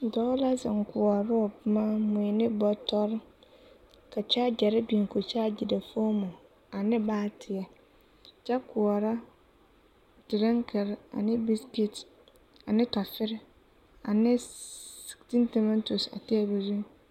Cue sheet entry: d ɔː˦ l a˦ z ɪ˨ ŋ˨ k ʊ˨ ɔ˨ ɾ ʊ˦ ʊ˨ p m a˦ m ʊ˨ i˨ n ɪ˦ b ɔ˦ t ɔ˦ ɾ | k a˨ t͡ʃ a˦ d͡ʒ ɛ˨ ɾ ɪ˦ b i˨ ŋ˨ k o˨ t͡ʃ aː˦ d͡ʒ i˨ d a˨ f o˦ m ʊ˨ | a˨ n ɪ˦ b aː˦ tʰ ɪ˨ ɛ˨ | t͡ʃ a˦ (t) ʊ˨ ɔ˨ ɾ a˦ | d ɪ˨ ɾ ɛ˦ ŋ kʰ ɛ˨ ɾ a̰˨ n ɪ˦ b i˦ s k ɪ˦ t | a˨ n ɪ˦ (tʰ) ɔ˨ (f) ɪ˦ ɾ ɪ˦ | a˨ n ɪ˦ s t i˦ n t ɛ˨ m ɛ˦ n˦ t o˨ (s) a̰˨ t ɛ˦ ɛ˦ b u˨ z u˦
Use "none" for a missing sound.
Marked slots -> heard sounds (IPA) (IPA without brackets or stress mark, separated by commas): k, t, f, s